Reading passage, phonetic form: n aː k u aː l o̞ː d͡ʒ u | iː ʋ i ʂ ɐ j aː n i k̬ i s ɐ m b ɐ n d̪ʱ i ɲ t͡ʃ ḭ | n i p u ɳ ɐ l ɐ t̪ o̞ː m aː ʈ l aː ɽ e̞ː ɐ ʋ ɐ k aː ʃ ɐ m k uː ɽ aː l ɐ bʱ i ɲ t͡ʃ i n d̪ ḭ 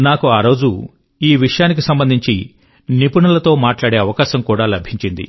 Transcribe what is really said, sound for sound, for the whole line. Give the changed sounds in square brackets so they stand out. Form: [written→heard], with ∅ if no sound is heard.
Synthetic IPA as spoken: n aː k u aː [l→ɾ] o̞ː d͡ʒ u | iː ʋ i ʂ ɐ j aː n i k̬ i s ɐ m b ɐ n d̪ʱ i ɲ t͡ʃ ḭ | n i p u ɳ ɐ l ɐ t̪ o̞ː m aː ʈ l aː ɽ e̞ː ɐ ʋ ɐ k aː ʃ ɐ m k uː ɽ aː l ɐ bʱ i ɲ t͡ʃ i n d̪ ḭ